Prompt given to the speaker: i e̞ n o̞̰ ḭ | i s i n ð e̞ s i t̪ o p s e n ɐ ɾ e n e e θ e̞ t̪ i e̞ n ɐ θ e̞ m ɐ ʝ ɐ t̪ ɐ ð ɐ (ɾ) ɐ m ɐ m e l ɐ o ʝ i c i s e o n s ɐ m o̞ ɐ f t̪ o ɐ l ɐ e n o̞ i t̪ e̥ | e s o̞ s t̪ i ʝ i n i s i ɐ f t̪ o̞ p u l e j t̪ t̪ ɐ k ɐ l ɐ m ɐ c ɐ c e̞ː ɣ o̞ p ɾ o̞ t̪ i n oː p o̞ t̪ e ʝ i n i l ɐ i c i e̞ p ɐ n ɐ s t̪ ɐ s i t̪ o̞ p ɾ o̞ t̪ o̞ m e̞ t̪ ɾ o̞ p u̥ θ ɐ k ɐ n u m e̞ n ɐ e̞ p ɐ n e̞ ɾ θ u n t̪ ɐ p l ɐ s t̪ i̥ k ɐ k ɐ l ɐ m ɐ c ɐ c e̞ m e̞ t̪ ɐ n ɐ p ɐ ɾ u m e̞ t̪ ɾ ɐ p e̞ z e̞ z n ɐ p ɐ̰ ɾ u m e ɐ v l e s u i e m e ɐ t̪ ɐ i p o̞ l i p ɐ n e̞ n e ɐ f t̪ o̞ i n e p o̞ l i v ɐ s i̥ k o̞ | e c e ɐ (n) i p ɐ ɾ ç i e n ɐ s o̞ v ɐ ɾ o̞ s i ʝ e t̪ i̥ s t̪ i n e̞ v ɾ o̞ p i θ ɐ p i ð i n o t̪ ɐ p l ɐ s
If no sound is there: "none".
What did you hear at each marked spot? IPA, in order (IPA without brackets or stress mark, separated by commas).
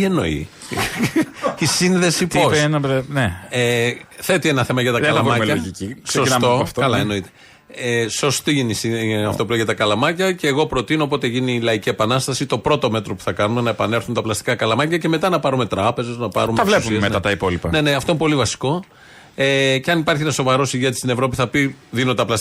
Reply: l, n